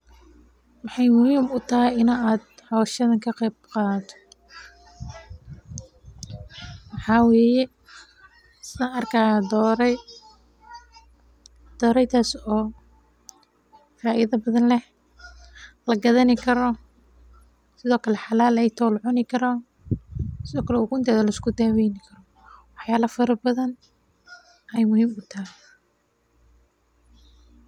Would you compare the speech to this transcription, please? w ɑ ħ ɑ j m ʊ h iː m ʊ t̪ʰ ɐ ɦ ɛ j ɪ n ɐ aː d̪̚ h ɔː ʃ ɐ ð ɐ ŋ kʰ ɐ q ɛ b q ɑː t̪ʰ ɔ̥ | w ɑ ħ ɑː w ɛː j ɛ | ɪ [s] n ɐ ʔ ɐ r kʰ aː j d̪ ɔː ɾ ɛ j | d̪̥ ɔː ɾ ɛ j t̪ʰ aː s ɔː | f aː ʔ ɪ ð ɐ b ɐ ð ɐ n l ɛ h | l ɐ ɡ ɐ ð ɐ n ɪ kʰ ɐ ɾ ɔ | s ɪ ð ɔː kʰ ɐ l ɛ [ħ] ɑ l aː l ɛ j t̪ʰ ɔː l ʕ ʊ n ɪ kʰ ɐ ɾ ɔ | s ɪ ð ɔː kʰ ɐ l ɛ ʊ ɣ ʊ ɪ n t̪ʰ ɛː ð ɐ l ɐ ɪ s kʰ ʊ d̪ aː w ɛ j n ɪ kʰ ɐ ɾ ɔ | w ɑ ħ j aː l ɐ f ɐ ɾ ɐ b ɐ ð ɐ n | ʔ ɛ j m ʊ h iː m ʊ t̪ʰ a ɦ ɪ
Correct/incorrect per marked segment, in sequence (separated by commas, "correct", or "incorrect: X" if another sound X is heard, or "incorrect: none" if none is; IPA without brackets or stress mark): correct, correct